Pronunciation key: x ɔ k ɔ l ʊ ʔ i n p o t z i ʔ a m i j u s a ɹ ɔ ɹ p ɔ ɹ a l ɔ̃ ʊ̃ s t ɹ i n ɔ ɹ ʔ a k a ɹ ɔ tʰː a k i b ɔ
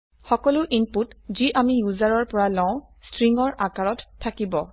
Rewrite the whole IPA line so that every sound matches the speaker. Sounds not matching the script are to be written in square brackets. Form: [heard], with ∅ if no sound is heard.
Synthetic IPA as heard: x ɔ k ɔ l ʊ ʔ i n p [u] t z i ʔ a m i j u [z] a ɹ ɔ ɹ p ɔ ɹ a l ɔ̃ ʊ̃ s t ɹ i [ŋ] ɔ ɹ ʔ a k a ɹ ɔ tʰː a k i b ɔ